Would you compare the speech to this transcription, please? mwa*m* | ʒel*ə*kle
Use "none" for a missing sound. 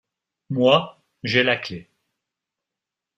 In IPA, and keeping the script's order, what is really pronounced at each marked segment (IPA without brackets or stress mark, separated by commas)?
none, a